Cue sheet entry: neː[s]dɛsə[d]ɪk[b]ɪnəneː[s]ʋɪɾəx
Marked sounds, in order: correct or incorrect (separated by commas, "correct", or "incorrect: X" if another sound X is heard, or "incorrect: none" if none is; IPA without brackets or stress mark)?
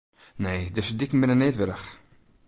incorrect: none, correct, incorrect: m, incorrect: t